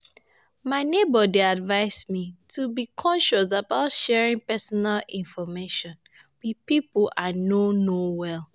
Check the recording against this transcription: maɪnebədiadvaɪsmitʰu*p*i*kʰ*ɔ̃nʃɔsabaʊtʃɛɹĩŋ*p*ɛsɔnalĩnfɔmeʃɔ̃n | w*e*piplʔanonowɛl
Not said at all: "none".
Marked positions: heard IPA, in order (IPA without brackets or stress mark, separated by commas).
b, kʰ, p, i